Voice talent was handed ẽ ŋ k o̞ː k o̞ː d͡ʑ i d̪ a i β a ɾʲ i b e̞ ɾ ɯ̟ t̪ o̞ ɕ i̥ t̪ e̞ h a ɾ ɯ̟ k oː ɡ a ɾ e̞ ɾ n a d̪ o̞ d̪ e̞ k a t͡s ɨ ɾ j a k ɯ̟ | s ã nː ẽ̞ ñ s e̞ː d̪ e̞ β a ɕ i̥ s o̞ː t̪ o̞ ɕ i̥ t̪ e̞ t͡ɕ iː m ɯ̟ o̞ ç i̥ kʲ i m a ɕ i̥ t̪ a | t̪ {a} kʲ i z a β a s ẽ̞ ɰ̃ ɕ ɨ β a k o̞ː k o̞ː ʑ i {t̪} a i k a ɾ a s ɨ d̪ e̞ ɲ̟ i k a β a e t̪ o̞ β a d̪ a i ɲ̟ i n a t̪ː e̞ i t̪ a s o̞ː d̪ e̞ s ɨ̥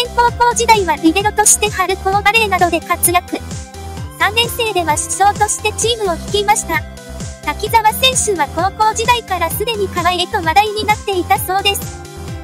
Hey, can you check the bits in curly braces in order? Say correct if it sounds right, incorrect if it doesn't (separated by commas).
correct, incorrect